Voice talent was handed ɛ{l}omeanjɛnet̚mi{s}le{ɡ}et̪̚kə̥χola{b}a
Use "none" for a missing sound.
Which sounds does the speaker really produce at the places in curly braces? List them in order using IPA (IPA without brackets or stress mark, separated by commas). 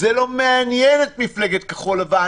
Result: l, f, ɡ, v